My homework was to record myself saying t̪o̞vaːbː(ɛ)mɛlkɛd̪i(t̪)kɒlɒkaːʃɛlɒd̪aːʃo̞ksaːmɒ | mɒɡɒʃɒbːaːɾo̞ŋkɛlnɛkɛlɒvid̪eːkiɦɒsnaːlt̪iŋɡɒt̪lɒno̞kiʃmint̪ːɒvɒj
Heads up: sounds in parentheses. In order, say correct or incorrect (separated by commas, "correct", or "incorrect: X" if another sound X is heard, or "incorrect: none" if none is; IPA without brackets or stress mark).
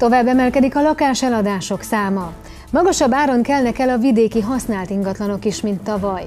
correct, incorrect: none